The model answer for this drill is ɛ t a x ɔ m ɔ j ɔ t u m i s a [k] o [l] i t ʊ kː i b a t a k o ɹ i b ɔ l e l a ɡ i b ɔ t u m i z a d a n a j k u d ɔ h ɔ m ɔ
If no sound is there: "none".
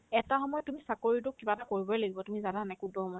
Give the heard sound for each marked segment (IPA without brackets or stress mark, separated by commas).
k, ɹ